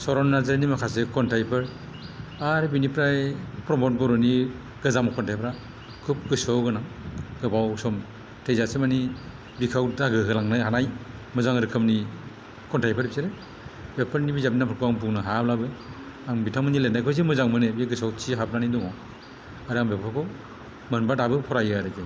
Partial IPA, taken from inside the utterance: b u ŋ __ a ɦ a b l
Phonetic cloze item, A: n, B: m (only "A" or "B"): A